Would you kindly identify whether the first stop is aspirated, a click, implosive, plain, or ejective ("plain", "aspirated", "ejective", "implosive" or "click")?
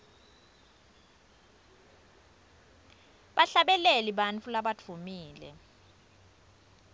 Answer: implosive